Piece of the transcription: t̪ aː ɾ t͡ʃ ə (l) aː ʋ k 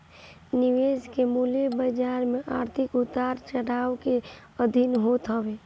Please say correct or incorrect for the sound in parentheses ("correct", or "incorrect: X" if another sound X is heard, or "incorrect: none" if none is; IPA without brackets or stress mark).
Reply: incorrect: ɽ